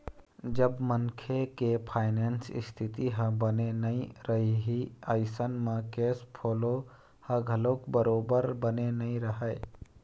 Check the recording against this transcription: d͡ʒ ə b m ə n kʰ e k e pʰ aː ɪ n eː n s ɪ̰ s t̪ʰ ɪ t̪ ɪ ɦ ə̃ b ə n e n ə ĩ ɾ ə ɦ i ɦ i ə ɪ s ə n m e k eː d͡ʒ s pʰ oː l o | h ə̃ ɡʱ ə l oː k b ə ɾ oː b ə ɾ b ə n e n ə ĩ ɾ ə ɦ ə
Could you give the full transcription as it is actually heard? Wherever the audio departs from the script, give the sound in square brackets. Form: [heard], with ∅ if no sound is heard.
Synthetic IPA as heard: d͡ʒ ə b m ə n kʰ e k e pʰ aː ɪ n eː n s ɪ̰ s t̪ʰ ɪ t̪ [i] ɦ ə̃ b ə n e n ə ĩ ɾ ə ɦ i ɦ i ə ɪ s ə n m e k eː [∅] s pʰ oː l o | h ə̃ ɡʱ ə l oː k b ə ɾ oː b ə ɾ b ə n e n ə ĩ ɾ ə ɦ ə